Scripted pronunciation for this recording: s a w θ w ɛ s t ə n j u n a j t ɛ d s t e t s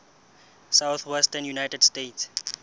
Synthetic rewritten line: s a w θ w ɛ s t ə n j u n a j t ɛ d s t e t s